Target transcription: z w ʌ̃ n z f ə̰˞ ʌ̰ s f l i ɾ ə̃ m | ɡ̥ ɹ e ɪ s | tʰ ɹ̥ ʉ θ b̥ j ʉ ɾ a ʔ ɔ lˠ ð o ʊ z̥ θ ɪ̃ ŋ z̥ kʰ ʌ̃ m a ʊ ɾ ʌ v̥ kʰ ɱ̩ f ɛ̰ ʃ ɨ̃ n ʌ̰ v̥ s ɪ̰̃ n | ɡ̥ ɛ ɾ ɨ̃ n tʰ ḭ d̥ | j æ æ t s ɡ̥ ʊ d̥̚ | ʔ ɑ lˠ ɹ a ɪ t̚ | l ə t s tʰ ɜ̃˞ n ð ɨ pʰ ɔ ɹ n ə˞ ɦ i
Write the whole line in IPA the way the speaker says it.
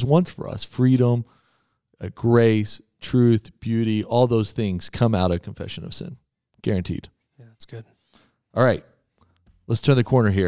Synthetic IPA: z w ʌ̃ n s f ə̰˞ ʌ̰ s f ɹ i ɾ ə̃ m | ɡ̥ ɹ e ɪ s | tʰ ɹ̥ ʉ θ b̥ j ʉ ɾ i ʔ ɔ lˠ ð o ʊ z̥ θ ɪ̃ ŋ z̥ kʰ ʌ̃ m a ʊ ɾ ʌ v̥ kʰ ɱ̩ f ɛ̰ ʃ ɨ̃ n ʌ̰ v̥ s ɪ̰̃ n | ɡ̥ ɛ ɹ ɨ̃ n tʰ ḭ d̥ | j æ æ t s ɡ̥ ʊ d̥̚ | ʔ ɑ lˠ ɹ a ɪ t̚ | l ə t s tʰ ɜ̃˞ n ð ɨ kʰ ɔ ɹ n ə˞ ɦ i